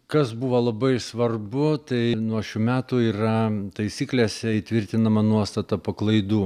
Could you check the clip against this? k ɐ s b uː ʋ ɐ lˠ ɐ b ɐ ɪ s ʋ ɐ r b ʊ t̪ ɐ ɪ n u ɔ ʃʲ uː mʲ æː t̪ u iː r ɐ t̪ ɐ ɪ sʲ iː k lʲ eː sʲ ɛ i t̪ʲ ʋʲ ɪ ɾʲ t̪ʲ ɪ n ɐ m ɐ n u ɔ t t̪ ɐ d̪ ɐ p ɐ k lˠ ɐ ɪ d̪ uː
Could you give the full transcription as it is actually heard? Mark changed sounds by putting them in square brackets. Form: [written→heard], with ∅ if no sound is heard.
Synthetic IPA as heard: k ɐ s b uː ʋ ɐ lˠ ɐ b ɐ ɪ s ʋ ɐ r b ʊ t̪ ɐ ɪ n u ɔ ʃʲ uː mʲ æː t̪ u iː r ɐ t̪ ɐ ɪ sʲ iː k lʲ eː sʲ ɛ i t̪ʲ ʋʲ ɪ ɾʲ t̪ʲ ɪ n ɐ m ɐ n u ɔ [t→s] t̪ ɐ [d̪→t̪] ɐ p ɐ k lˠ ɐ ɪ d̪ uː